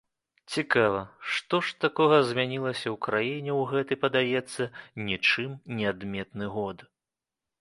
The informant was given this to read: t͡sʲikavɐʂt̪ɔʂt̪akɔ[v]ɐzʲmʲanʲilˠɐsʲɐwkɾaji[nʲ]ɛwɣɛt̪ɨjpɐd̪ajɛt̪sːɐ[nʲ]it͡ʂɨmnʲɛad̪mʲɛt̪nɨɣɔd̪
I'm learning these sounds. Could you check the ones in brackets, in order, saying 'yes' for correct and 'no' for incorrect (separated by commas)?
no, yes, yes